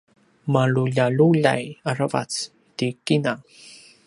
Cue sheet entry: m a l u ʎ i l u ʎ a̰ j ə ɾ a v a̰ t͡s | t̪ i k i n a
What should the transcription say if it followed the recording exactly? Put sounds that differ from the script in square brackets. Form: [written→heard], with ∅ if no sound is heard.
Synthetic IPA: m a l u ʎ [i→a] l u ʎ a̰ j [ə→a] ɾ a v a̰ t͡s | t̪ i k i n a